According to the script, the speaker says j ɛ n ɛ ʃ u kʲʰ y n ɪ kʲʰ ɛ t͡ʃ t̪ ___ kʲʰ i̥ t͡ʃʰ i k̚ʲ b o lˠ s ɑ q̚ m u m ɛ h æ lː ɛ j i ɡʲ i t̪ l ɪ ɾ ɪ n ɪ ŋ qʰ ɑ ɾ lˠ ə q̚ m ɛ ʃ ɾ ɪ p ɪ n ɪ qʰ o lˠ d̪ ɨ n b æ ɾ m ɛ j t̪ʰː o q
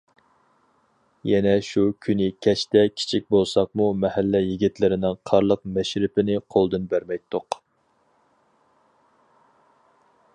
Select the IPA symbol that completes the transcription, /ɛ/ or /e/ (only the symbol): ɛ